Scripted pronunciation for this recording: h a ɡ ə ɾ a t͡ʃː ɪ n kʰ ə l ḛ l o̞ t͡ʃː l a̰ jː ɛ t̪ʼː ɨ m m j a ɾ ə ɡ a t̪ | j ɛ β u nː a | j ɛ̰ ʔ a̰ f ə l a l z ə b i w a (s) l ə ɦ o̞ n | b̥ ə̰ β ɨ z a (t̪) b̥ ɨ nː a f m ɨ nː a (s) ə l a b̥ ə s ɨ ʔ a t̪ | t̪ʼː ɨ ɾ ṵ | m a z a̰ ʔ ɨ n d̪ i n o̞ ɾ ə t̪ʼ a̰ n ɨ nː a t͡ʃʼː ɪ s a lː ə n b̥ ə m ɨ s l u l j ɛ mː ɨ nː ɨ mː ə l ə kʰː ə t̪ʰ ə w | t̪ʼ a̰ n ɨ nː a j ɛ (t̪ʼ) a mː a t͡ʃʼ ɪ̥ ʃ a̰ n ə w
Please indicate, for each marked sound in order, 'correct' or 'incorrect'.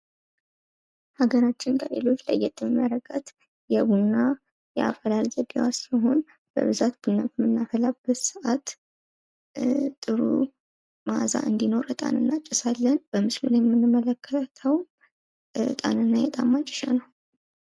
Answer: correct, correct, incorrect, correct

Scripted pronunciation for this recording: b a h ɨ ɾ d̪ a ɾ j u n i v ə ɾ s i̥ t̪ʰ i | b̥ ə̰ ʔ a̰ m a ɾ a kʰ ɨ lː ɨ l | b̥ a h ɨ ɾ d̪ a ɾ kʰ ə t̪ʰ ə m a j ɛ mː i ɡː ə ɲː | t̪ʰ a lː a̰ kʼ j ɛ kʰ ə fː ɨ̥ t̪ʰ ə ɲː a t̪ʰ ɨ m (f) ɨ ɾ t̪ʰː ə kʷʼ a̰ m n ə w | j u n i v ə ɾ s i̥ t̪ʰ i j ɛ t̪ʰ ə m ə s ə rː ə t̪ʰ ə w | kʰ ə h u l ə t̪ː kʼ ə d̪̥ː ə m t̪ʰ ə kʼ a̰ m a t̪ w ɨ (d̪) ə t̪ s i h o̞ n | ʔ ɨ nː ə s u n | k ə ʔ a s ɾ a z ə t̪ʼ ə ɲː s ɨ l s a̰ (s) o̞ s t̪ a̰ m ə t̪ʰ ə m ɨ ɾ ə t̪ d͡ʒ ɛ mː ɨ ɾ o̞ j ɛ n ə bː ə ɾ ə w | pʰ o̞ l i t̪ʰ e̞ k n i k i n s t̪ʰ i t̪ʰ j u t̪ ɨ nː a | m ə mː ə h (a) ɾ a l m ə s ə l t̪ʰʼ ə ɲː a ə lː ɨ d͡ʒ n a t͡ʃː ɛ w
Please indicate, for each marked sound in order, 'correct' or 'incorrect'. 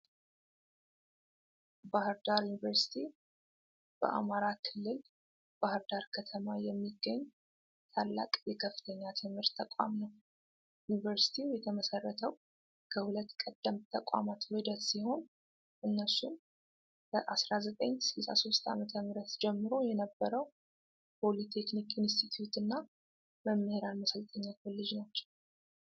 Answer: incorrect, correct, correct, incorrect

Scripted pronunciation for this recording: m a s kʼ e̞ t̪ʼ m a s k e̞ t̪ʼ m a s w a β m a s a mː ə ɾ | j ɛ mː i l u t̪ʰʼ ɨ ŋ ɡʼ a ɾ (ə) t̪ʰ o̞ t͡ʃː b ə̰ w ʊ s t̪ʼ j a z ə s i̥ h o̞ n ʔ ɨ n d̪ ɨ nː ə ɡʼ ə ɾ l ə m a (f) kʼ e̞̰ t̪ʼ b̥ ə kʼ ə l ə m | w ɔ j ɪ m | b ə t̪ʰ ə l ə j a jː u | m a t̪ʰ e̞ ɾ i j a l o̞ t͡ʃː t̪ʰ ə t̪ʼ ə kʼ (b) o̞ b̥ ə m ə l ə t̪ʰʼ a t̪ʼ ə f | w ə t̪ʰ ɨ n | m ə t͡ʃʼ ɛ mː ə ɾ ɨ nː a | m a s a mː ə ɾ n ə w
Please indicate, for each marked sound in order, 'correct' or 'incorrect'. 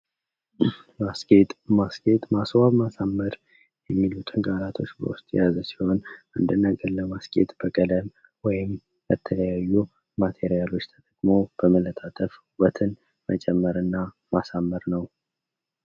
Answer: incorrect, incorrect, incorrect

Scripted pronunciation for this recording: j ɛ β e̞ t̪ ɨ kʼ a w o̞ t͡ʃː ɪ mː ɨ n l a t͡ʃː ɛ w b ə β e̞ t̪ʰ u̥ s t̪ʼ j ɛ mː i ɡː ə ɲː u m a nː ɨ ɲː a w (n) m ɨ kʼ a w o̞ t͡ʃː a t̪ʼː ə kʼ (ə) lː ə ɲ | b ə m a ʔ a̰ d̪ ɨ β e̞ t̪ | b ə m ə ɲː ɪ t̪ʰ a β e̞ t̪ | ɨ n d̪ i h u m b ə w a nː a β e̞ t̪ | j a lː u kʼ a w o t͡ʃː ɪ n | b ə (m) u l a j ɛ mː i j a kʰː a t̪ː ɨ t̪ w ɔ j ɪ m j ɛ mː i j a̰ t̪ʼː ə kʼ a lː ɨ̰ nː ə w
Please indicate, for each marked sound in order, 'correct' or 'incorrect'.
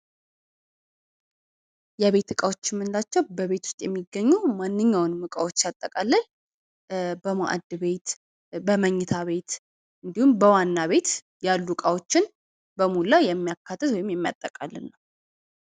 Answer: correct, incorrect, correct

